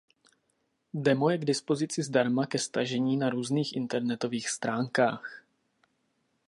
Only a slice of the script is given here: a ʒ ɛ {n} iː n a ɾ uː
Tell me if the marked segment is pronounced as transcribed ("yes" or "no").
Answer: no